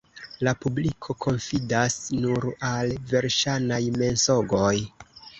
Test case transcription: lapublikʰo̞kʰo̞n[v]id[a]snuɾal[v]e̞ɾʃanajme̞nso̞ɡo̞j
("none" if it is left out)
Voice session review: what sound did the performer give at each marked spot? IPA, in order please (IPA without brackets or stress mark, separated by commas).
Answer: f, a, v